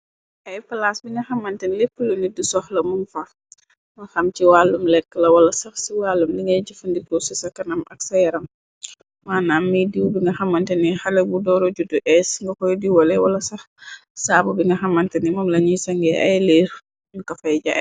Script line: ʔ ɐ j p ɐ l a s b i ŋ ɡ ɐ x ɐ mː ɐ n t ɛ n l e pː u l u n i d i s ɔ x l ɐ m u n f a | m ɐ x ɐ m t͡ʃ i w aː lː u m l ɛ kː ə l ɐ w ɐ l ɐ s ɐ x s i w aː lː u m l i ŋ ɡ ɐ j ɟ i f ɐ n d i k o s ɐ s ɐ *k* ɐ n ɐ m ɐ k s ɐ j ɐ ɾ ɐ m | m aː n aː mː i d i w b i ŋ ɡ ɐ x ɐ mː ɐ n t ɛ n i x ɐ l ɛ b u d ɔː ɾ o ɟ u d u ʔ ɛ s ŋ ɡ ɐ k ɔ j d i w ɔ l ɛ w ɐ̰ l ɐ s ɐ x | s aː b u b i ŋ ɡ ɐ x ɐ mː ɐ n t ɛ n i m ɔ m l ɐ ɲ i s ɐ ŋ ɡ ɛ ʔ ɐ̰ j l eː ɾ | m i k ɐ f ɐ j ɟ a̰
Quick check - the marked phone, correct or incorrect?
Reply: correct